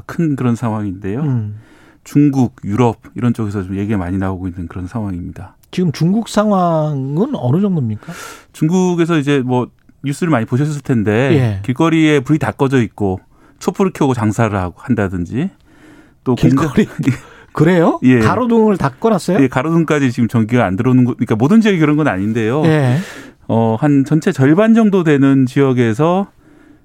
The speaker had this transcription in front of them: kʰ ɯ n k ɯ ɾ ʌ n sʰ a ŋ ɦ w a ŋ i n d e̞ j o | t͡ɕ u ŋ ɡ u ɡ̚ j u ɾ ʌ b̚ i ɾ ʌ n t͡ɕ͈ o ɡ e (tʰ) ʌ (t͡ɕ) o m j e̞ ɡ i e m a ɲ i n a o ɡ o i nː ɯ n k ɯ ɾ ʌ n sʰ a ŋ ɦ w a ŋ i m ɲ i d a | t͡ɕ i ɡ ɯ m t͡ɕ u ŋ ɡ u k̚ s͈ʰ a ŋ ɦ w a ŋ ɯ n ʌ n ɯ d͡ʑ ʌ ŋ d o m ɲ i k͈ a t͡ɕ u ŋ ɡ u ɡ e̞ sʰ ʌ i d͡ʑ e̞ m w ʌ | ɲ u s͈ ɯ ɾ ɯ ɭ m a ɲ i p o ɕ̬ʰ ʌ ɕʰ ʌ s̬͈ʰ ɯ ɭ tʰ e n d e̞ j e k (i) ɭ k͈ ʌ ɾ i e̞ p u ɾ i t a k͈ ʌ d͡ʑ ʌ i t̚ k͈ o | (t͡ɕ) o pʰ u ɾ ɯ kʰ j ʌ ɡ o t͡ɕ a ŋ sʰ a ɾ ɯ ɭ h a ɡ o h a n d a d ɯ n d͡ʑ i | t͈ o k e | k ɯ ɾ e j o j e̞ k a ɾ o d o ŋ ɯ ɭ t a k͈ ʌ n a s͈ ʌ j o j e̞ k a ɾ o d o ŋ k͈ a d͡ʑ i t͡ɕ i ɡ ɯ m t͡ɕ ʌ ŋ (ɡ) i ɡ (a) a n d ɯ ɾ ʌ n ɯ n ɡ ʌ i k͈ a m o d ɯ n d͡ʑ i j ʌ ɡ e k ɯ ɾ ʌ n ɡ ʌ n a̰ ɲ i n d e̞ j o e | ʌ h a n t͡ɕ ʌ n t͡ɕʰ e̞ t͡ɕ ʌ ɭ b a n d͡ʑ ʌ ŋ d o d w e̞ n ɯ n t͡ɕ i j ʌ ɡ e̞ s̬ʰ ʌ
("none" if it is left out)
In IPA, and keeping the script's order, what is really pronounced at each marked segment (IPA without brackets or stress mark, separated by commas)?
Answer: sʰ, t͡ɕ, i, t͡ɕʰ, ɡ, a